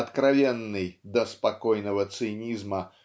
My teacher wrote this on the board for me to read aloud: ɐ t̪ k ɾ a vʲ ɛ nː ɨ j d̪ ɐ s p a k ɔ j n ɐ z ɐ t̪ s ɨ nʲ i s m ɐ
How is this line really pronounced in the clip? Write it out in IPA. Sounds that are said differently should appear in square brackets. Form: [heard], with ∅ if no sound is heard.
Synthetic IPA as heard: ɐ t̪ k ɾ a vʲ ɛ nː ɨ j d̪ ɐ s p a k ɔ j n ɐ [v] ɐ t̪ s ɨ nʲ i [z] m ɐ